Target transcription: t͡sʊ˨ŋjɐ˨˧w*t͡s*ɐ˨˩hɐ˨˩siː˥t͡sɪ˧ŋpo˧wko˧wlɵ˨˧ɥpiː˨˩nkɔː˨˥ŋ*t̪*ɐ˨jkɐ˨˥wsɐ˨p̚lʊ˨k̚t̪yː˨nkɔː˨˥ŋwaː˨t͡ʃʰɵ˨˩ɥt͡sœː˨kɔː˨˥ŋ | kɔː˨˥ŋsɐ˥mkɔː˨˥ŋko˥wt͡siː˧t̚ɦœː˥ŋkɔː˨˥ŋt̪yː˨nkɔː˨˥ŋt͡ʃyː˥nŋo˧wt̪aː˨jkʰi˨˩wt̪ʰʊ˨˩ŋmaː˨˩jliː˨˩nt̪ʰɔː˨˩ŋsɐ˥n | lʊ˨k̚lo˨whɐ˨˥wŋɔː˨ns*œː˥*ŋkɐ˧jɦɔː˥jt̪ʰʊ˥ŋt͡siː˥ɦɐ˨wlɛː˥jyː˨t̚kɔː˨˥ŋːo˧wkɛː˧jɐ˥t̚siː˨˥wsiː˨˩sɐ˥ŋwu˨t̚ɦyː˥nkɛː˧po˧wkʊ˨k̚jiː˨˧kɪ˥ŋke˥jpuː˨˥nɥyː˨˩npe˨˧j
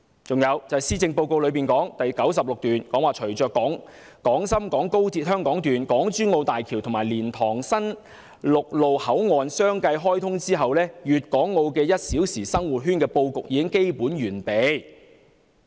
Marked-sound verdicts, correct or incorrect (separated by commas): correct, correct, correct